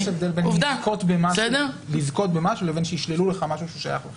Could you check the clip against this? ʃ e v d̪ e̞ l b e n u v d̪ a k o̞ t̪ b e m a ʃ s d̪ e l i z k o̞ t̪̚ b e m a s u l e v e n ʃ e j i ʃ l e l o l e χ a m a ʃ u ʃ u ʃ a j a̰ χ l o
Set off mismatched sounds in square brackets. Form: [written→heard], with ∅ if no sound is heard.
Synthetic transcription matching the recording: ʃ e v d̪ e̞ l b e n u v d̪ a k o̞ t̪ b e m a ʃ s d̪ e l i z k o̞ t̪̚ b e m a [s→ʃ] u l e v e n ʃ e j i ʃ l e l [o→u] l e χ a m a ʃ u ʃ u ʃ a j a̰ χ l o